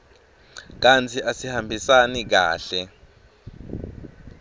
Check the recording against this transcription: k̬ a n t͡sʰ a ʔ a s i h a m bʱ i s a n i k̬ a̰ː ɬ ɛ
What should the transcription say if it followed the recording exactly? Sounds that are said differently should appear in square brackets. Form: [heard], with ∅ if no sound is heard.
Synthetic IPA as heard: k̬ a n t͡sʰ [i] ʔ a s i h a m bʱ i s a n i k̬ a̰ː ɬ ɛ